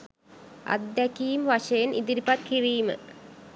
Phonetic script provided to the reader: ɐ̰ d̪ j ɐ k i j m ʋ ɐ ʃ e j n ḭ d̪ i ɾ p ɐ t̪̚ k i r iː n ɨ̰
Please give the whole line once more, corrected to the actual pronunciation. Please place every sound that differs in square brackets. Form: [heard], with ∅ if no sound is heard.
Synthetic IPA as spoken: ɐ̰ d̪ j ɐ k i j m ʋ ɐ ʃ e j n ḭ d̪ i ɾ p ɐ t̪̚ k i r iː [m] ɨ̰